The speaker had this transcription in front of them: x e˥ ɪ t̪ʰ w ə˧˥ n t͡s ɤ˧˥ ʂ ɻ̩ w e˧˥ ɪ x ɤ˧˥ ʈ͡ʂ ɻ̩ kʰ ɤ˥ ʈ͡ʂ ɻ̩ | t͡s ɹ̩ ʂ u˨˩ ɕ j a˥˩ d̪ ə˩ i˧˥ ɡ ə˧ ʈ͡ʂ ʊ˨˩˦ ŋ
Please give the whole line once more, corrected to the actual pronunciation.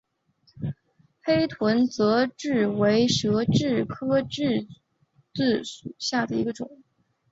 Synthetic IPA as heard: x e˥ ɪ t̪ʰ w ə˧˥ n t͡s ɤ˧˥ ʈ͡ʂ ɻ̩ w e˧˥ ɪ ʂ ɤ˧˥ ʈ͡ʂ ɻ̩ kʰ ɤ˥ ʈ͡ʂ ɻ̩ | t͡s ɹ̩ ʂ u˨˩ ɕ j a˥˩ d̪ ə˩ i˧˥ ɡ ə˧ ʈ͡ʂ ʊ˨˩˦ ŋ

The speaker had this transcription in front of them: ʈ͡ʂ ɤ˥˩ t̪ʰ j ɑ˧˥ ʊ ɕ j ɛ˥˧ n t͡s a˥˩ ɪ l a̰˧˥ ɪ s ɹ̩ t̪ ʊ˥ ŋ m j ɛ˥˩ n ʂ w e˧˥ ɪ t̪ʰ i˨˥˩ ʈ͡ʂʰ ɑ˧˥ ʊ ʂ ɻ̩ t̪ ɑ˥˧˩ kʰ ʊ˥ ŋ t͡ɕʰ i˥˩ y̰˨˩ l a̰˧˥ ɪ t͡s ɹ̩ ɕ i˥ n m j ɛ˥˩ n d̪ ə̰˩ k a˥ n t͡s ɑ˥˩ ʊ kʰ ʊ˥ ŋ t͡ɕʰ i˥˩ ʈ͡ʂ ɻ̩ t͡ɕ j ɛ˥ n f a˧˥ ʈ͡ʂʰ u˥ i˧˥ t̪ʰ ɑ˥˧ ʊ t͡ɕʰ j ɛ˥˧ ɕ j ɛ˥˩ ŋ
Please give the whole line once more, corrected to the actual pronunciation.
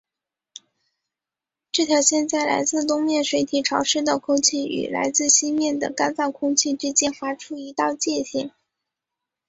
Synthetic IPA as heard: ʈ͡ʂ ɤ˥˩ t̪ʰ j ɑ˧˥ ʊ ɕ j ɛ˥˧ n t͡s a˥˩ ɪ l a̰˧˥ ɪ t͡s ɹ̩ t̪ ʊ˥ ŋ m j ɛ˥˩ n ʂ w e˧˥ ɪ t̪ʰ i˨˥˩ ʈ͡ʂʰ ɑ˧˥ ʊ ʂ ɻ̩ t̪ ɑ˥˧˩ kʰ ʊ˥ ŋ t͡ɕʰ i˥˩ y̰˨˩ l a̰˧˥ ɪ t͡s ɹ̩ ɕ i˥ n m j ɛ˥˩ n d̪ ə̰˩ k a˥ n t͡s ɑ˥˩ ʊ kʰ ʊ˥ ŋ t͡ɕʰ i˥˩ ʈ͡ʂ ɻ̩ t͡ɕ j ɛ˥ n f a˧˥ ʈ͡ʂʰ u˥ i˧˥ t̪ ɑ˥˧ ʊ t͡ɕ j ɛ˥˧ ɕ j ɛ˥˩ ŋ

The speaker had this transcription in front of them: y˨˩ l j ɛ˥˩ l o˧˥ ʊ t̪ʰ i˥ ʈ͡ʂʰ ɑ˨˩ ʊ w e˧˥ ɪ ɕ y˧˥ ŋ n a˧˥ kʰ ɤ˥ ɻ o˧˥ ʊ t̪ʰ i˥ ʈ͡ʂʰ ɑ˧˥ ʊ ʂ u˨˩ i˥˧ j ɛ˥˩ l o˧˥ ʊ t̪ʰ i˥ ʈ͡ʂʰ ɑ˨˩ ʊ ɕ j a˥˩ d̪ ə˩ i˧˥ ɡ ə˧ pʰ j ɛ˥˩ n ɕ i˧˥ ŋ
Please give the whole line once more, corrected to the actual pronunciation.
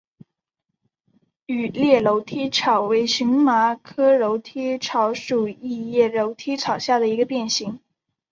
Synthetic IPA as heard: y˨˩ l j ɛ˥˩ l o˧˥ ʊ t̪ʰ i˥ ʈ͡ʂʰ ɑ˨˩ ʊ w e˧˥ ɪ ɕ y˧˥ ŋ m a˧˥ kʰ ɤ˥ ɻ o˧˥ ʊ t̪ʰ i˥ ʈ͡ʂʰ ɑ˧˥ ʊ ʂ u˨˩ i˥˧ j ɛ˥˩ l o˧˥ ʊ t̪ʰ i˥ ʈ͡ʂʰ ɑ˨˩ ʊ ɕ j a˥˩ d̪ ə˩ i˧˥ ɡ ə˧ p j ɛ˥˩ n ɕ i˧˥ ŋ

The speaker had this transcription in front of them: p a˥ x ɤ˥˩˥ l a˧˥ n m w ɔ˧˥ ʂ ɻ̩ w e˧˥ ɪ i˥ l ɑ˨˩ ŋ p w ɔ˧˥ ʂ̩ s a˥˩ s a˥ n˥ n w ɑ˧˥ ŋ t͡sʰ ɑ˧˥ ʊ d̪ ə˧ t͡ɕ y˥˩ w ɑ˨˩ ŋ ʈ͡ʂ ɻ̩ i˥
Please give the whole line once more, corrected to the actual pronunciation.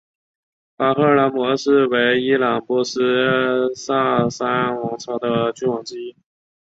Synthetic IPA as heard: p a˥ x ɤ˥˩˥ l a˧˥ n m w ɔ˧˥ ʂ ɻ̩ w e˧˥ ɪ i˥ l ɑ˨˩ ŋ p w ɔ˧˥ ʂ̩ s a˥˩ s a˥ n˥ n w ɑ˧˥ ŋ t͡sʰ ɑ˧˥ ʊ d̪ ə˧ t͡ɕ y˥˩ w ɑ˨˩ ŋ ʈ͡ʂ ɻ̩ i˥

